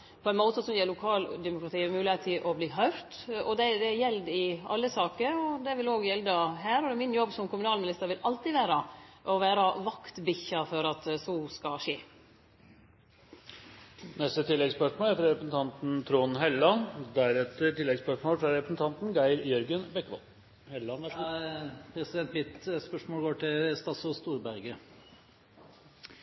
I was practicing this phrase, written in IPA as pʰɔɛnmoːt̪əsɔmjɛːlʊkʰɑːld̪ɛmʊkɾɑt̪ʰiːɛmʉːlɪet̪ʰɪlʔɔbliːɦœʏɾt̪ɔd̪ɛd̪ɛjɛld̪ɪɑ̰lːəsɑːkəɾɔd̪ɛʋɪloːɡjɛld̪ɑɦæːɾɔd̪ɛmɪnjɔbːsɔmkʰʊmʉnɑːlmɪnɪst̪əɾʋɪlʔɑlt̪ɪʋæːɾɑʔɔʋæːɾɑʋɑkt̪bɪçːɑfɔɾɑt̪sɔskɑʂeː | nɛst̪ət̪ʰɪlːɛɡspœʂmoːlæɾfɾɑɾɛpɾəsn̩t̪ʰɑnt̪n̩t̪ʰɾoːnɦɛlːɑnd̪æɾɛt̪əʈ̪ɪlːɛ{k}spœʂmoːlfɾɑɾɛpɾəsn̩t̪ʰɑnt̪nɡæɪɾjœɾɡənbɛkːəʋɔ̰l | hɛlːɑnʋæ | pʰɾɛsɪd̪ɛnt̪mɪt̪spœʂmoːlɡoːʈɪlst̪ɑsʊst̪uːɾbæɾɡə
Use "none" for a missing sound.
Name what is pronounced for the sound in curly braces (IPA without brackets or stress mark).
ɡ